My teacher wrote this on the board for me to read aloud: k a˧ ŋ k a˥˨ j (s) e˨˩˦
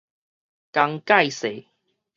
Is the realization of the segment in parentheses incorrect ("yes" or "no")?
no